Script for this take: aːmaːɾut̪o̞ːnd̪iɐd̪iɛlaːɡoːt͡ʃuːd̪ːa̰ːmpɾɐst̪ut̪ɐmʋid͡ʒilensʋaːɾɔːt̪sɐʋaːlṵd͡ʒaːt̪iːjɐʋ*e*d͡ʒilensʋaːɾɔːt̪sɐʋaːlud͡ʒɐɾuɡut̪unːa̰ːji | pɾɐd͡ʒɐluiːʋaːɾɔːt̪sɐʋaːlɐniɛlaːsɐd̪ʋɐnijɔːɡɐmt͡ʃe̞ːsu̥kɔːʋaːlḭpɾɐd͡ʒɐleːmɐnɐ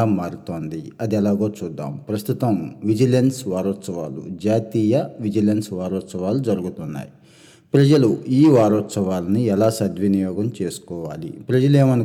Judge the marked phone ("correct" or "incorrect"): incorrect